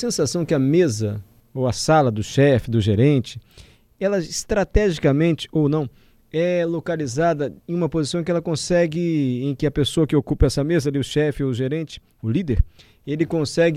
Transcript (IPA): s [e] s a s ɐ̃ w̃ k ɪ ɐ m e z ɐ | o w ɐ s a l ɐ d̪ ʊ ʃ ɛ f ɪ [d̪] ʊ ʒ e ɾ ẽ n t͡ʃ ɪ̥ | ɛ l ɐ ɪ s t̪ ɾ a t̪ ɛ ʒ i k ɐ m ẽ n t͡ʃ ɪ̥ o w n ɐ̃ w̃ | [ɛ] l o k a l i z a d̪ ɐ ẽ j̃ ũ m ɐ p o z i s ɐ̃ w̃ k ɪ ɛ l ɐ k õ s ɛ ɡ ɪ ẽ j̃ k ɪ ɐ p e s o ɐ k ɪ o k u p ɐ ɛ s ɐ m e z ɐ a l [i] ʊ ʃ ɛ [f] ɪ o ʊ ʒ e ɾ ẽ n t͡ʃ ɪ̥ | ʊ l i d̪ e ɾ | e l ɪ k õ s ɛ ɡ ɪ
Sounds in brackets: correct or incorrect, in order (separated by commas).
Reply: incorrect, correct, correct, correct, correct